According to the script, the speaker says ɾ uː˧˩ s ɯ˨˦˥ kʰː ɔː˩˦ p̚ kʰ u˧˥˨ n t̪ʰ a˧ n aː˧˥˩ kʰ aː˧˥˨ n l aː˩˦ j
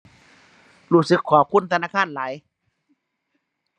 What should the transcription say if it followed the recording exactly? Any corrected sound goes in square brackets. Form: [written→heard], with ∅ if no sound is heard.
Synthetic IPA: ɾ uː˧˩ s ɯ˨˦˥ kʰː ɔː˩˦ p̚ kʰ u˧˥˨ n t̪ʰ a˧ n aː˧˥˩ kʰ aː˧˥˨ n l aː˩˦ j